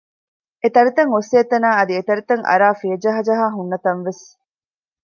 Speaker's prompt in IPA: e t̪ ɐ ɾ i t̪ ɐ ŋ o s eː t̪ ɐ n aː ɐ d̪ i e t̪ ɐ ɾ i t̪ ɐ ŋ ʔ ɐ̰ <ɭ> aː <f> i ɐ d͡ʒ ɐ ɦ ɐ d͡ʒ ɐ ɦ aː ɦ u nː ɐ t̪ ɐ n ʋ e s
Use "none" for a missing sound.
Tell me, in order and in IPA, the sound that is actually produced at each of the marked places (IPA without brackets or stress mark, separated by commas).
ɾ, f